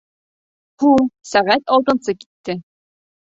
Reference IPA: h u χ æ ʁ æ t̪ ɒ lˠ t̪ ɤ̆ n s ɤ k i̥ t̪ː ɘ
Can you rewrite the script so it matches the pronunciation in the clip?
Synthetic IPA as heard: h u s æ ʁ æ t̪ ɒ lˠ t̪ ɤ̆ n s ɤ k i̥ t̪ː ɘ